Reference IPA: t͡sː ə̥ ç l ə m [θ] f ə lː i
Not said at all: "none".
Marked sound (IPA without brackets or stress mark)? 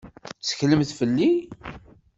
θ